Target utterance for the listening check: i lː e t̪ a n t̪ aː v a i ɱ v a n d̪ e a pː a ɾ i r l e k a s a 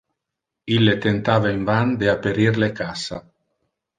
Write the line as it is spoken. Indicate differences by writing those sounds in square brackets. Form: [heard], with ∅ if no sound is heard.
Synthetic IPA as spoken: i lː e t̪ [e] n t̪ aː v a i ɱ v a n d̪ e a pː [e] ɾ i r l e k a s a